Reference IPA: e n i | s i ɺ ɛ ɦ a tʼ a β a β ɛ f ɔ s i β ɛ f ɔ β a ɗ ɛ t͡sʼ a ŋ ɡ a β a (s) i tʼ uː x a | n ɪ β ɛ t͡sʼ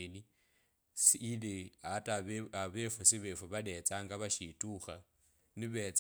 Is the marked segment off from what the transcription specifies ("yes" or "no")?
yes